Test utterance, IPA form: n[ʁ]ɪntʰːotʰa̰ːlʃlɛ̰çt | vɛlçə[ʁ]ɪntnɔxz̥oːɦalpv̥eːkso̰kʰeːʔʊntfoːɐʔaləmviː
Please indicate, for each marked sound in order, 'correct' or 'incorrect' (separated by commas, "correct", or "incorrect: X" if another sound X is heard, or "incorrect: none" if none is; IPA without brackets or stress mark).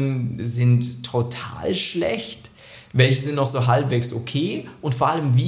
incorrect: z, incorrect: z